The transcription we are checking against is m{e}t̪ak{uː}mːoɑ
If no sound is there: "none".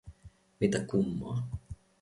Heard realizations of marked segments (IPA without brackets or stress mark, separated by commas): i, u